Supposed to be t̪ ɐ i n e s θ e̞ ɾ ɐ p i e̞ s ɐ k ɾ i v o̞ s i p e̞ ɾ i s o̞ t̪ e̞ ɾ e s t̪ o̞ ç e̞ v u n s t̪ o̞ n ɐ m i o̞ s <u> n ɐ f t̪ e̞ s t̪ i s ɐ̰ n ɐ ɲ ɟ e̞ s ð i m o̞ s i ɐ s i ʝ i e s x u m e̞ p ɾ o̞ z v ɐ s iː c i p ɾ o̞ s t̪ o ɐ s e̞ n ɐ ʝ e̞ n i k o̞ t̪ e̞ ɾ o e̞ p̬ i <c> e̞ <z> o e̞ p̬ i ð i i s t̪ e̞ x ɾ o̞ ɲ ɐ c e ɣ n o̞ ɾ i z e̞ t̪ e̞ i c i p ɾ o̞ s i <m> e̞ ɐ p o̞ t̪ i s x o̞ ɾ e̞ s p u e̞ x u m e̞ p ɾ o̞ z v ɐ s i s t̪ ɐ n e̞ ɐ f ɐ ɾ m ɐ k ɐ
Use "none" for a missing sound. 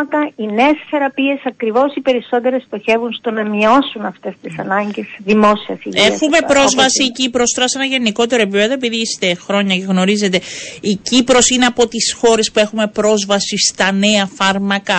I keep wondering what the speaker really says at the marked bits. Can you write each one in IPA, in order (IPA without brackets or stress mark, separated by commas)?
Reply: u, p, ð, n